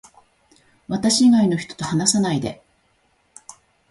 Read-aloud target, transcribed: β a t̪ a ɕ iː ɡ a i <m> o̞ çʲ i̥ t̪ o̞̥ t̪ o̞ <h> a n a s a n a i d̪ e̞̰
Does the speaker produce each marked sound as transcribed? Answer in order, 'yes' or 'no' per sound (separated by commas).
no, yes